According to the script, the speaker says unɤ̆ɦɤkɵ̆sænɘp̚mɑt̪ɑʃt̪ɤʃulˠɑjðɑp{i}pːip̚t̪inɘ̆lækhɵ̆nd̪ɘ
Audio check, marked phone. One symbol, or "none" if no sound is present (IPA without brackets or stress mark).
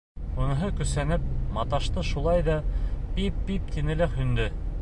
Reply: i